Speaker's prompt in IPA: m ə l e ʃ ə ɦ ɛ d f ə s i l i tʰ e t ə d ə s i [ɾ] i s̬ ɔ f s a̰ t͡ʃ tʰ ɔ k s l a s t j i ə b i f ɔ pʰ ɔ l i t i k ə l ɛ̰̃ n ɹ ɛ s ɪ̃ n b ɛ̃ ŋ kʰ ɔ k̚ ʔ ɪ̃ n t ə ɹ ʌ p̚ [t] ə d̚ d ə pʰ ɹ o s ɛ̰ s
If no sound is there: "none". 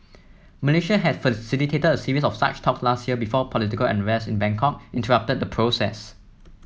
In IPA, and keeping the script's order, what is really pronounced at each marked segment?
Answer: ɹ, t

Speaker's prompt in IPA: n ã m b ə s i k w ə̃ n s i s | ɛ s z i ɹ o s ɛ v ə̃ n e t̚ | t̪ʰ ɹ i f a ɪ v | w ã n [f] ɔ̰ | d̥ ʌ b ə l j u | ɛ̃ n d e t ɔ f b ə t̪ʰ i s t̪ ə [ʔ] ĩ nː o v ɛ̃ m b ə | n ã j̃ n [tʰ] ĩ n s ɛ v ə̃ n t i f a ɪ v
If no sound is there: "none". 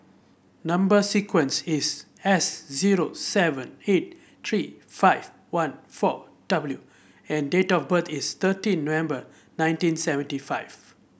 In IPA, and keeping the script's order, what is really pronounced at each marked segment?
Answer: f, t, t

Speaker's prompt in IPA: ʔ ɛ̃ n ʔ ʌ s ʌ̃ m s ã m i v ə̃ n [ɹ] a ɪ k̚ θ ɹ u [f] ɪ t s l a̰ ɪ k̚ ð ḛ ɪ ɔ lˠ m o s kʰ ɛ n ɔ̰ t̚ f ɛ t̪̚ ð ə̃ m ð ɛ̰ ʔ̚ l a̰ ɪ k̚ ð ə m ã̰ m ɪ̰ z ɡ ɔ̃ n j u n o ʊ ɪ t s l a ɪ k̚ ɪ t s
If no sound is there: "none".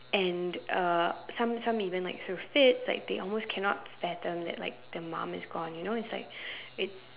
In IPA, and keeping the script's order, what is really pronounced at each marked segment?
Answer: l, f

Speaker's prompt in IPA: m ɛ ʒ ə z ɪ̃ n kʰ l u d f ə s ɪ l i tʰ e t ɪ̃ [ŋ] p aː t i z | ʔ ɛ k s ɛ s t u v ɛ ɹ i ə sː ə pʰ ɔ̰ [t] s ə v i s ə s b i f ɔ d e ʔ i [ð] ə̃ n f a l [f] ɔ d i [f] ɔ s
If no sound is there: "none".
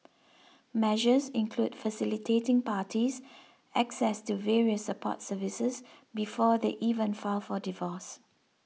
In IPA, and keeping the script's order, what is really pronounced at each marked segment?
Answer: ŋ, t, v, f, v

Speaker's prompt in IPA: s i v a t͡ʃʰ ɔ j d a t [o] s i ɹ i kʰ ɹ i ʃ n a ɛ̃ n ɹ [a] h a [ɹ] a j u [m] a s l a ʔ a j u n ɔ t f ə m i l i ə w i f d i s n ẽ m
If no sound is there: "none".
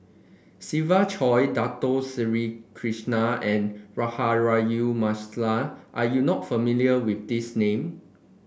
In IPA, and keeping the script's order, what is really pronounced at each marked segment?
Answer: o, a, ɹ, m

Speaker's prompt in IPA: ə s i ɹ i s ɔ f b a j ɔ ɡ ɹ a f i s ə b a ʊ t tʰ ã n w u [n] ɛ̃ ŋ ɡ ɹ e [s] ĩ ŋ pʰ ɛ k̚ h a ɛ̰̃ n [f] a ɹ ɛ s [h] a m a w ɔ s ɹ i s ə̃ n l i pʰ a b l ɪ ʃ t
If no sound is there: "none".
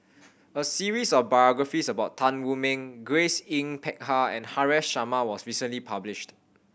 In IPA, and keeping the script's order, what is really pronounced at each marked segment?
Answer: m, s, h, ʃ

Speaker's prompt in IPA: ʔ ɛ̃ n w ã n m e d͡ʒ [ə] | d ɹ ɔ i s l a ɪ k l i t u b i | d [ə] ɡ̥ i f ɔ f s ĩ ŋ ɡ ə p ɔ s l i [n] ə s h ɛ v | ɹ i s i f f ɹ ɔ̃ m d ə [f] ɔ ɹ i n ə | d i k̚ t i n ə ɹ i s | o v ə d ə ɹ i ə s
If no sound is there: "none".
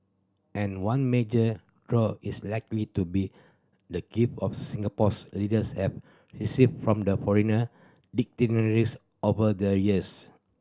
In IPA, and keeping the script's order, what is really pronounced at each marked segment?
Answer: ə, ə, d, f

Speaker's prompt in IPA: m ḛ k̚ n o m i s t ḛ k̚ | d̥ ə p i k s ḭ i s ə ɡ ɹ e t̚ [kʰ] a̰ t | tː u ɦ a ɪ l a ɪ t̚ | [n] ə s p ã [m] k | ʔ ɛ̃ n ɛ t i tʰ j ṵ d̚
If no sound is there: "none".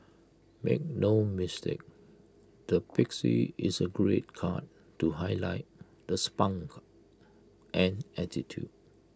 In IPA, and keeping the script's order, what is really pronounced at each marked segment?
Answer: kʰ, d, ŋ

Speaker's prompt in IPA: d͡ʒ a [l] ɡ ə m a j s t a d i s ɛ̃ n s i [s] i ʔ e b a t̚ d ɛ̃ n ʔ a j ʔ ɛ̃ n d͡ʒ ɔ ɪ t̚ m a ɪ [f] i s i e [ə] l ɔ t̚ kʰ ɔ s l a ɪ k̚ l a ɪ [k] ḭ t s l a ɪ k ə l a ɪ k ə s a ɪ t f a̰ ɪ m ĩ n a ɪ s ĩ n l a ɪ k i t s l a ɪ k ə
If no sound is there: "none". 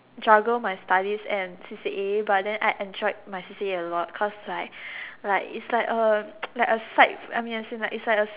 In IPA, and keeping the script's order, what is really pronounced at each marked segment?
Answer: none, s, s, ə, k

